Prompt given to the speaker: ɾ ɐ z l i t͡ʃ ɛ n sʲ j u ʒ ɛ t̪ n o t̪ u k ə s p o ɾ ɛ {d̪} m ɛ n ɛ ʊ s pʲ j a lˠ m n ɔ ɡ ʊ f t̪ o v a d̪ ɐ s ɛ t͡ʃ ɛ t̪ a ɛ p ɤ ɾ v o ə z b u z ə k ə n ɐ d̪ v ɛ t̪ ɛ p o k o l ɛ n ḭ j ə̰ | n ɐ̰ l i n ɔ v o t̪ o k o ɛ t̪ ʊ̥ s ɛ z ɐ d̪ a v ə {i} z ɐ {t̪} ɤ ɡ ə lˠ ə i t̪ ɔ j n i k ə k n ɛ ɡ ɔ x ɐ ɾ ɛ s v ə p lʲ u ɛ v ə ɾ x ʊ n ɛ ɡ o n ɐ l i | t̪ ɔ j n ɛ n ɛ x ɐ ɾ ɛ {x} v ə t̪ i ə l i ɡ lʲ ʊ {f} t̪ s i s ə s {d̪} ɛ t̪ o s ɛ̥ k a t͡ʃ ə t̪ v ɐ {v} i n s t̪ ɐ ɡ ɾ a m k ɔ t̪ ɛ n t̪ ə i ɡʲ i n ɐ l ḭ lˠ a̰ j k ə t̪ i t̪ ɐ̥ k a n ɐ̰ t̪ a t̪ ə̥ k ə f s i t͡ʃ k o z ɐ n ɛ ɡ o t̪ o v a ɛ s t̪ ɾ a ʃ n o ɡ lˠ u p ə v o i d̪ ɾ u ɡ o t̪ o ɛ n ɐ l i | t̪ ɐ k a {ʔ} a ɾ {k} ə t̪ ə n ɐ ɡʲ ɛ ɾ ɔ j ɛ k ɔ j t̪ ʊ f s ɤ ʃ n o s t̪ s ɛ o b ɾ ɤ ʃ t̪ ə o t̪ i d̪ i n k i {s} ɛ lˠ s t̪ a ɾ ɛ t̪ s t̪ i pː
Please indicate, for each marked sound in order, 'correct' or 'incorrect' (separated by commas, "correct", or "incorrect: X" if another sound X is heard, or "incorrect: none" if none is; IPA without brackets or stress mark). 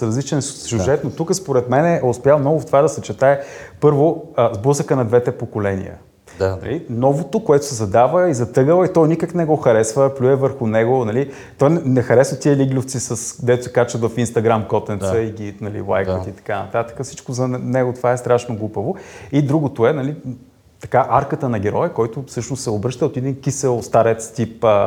incorrect: t̪, correct, correct, incorrect: s, correct, correct, incorrect: f, correct, correct, correct